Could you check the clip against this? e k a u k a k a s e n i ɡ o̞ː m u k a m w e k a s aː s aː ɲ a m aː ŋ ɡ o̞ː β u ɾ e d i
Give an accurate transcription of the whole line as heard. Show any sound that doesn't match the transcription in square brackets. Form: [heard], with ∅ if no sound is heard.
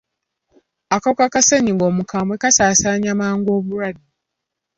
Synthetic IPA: [a] k a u k a k a s e [ɲ] i ɡ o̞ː m u k a m w e k a s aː s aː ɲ a m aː ŋ ɡ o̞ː β u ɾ [a] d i